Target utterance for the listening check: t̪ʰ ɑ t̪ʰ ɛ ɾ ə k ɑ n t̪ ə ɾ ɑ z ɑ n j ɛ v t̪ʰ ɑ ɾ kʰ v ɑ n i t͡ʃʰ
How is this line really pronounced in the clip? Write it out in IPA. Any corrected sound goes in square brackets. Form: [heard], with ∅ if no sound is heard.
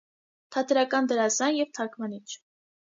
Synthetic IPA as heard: t̪ʰ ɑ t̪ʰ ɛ ɾ [ɑ] k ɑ n [d̪] ə ɾ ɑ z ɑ n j ɛ v t̪ʰ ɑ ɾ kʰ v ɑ n i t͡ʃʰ